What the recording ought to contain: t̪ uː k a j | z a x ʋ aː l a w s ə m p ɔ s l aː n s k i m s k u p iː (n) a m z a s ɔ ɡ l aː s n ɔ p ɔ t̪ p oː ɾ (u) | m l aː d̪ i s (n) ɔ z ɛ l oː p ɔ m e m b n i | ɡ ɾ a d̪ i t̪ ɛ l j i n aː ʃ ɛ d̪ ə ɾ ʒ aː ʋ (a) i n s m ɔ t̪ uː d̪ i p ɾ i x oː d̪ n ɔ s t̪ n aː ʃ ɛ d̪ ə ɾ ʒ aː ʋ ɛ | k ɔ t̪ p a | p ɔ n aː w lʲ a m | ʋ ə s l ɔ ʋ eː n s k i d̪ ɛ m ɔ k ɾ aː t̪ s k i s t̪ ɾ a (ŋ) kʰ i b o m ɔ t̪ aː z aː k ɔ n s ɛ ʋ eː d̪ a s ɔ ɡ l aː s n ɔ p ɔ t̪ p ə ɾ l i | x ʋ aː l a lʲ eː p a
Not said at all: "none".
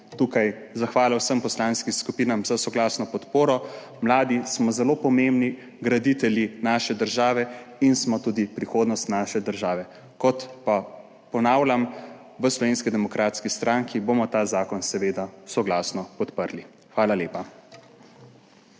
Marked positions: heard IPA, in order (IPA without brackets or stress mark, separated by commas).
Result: n, ɔ, m, ɛ, ŋ